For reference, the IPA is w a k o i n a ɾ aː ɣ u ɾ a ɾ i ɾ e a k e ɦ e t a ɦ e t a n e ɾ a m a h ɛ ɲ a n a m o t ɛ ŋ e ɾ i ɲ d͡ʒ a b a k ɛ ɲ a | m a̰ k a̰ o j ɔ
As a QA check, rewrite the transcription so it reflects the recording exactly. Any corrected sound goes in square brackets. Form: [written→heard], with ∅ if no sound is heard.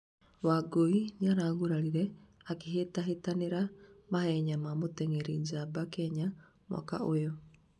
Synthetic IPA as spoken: w a [k→ɡ] o i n a ɾ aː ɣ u ɾ a ɾ i ɾ [e→ɛ] a k e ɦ e t a ɦ e t a n e ɾ a m a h ɛ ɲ a [n→m] a m o t ɛ ŋ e ɾ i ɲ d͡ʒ a b a k ɛ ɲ a | m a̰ k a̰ o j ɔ